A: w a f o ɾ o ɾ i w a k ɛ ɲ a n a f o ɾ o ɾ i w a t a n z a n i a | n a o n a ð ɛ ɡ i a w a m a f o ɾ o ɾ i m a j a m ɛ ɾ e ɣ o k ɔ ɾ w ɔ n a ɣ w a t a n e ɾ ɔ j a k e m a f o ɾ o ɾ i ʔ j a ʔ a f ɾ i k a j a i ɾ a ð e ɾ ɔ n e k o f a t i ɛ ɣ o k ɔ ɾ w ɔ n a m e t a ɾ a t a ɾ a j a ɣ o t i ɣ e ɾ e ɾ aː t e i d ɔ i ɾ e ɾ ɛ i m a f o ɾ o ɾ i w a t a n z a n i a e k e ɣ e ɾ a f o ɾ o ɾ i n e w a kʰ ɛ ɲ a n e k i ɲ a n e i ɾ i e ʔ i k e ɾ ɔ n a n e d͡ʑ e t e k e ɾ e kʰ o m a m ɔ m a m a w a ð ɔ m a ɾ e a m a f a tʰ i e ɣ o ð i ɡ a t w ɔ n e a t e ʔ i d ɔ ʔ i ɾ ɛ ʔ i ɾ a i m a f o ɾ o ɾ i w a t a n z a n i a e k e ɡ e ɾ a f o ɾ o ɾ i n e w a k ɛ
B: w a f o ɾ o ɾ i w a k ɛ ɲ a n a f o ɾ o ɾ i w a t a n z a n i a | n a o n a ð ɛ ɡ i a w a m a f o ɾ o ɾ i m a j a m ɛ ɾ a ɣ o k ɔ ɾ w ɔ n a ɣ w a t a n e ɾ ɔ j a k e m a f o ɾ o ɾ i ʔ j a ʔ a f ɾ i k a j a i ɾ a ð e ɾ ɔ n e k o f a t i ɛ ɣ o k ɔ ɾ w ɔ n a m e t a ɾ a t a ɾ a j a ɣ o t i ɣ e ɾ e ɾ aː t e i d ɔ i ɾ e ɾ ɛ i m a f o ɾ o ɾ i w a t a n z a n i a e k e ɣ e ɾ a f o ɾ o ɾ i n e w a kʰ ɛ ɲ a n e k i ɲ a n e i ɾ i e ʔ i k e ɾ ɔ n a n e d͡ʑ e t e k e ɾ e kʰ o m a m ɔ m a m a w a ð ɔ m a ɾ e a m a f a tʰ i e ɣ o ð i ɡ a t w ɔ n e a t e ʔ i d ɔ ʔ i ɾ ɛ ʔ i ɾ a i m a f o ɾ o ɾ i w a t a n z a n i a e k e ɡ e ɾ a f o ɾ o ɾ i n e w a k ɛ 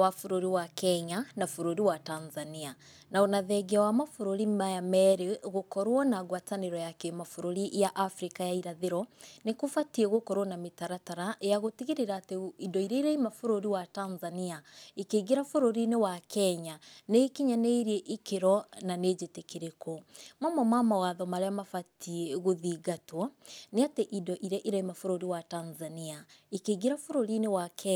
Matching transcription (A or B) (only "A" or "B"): A